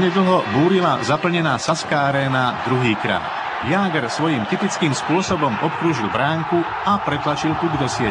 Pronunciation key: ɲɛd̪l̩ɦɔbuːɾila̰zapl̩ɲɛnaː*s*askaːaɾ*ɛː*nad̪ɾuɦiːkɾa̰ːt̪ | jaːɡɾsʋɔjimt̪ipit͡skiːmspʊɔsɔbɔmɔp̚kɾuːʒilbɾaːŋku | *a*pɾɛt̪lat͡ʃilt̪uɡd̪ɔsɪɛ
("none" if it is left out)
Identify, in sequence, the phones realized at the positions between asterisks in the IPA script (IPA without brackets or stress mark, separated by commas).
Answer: s, ɛː, a